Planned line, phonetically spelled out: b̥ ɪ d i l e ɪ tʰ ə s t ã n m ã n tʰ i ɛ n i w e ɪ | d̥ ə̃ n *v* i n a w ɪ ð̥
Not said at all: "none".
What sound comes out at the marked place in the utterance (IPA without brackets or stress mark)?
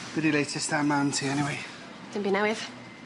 b